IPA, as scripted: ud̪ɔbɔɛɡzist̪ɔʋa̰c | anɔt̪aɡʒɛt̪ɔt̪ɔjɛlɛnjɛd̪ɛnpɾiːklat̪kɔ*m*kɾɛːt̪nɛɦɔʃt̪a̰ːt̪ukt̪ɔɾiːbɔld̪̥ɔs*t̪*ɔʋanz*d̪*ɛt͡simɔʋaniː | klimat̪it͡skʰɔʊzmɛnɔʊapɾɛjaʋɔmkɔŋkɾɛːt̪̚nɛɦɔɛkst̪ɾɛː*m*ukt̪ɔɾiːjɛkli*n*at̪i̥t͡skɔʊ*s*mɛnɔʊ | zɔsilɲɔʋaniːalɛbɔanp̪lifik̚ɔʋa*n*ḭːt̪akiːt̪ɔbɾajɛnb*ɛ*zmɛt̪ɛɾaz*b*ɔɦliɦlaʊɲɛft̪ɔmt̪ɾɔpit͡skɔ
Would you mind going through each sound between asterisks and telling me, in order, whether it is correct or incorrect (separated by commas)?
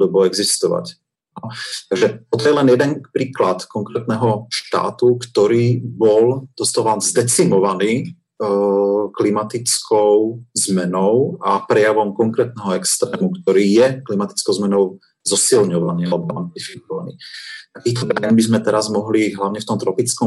incorrect, correct, correct, correct, incorrect, incorrect, correct, incorrect, incorrect